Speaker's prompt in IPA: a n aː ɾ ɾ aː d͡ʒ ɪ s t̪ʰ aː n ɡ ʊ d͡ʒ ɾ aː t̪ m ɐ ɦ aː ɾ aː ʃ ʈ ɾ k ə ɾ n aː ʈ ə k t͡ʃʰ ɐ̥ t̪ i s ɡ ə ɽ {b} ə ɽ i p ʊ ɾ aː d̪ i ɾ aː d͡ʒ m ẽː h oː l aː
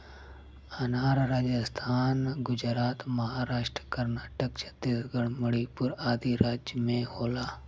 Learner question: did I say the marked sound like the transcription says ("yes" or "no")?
no